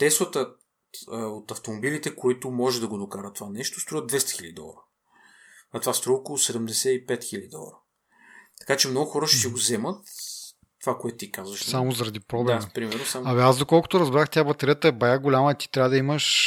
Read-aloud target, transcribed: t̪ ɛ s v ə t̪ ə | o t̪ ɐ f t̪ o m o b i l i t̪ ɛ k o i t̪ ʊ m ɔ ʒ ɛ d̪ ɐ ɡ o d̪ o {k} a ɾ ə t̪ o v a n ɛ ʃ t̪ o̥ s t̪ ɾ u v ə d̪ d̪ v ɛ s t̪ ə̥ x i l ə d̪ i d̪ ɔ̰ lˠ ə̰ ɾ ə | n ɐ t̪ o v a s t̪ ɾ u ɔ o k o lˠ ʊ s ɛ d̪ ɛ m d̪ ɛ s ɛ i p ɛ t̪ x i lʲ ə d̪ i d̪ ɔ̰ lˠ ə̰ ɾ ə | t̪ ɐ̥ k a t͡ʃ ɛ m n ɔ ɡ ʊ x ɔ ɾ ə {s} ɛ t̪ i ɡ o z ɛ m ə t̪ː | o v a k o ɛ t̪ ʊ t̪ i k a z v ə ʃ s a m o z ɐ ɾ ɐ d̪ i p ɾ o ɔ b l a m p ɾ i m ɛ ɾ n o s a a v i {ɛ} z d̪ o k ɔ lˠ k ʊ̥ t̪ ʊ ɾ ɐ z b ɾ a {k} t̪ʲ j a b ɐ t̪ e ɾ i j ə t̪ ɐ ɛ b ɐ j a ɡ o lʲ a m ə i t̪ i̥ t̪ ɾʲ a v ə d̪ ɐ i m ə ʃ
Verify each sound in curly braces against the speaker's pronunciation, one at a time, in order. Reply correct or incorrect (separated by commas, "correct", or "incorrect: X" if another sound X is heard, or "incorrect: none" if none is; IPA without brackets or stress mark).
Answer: correct, incorrect: ʃ, incorrect: a, incorrect: x